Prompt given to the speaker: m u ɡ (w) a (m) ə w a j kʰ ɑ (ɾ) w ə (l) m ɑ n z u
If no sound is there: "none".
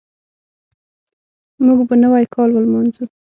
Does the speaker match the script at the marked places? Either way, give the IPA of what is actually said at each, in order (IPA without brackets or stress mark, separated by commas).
b, n, l, l